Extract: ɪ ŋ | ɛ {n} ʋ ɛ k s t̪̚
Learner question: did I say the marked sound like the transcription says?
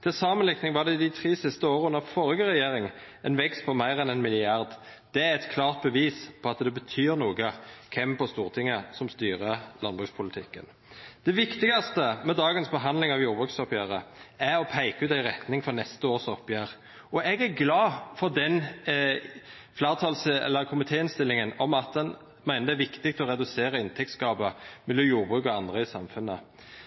yes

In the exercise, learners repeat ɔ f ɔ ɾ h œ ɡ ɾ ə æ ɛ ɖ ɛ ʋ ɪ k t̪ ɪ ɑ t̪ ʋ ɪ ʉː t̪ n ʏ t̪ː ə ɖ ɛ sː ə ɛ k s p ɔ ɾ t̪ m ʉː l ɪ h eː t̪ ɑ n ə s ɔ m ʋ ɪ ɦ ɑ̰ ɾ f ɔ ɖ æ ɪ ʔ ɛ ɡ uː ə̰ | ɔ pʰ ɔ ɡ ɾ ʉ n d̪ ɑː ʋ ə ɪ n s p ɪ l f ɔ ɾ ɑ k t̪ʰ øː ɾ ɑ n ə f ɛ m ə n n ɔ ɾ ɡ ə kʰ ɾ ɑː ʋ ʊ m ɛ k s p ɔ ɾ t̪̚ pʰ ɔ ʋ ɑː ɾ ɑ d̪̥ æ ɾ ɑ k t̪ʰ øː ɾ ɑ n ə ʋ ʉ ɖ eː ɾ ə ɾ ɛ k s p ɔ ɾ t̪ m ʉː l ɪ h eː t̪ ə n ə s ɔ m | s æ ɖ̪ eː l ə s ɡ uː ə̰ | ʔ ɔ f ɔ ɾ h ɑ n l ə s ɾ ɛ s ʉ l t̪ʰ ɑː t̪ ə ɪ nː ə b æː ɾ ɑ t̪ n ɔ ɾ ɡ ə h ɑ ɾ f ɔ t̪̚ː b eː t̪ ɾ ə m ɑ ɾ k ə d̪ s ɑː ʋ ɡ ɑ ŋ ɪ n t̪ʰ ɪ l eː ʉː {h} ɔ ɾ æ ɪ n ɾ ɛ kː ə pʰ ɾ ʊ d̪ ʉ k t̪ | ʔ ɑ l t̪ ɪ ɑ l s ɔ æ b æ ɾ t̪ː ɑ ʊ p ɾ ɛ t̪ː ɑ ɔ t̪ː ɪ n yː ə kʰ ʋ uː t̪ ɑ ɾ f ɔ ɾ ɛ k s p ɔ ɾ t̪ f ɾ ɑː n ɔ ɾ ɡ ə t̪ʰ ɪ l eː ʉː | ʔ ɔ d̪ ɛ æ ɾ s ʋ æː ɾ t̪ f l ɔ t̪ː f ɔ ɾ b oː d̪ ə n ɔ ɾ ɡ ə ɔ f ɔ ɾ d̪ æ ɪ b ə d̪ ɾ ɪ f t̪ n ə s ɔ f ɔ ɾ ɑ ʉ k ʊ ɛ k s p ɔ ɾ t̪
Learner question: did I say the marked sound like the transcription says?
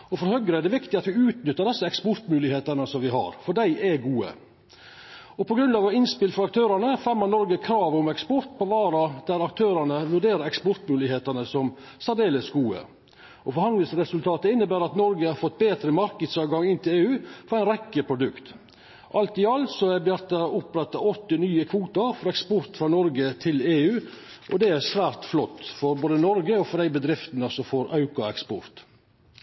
no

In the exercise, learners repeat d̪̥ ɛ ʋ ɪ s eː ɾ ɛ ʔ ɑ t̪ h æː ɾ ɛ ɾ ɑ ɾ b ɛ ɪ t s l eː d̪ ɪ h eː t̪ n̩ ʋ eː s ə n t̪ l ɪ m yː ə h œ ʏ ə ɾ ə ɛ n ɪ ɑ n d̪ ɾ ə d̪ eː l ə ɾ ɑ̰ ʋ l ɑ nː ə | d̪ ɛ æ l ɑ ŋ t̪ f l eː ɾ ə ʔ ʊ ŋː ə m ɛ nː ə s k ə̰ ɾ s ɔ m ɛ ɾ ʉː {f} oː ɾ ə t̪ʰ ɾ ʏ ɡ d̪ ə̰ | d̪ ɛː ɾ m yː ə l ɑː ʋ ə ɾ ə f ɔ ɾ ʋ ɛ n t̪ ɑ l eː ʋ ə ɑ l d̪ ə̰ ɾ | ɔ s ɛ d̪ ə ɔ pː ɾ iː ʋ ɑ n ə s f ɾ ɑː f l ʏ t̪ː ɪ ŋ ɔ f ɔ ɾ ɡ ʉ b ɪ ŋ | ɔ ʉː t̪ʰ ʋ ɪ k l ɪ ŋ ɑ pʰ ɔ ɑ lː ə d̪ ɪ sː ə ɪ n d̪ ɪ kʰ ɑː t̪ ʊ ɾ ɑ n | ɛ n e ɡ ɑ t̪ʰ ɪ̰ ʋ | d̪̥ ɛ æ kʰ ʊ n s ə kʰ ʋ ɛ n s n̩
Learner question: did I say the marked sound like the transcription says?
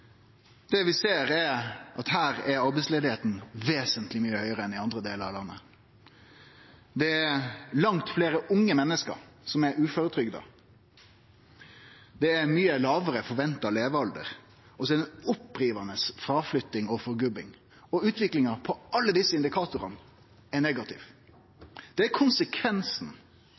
yes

